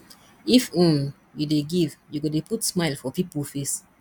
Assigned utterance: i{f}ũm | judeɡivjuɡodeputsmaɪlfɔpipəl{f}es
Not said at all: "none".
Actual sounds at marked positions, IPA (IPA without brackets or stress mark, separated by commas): f, f